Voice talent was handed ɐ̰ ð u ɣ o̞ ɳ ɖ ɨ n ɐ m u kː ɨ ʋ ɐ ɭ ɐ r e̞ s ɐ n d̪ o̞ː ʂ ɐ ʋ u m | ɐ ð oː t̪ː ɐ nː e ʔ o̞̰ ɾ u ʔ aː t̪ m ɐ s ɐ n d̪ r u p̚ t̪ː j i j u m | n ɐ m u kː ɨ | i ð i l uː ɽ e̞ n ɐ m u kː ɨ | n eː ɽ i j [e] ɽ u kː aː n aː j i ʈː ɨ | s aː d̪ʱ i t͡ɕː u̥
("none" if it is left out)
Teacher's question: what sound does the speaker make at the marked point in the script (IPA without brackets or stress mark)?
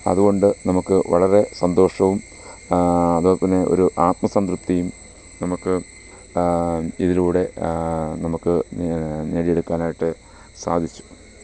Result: e